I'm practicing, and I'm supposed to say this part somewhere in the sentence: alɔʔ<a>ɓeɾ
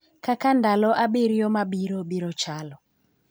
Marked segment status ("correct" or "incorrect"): correct